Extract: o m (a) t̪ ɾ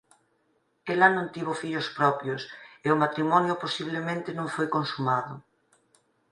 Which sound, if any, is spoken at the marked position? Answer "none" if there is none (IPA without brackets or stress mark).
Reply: a